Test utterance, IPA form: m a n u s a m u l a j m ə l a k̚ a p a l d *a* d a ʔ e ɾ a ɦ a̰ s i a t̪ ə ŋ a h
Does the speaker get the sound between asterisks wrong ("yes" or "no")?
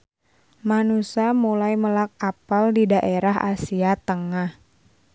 yes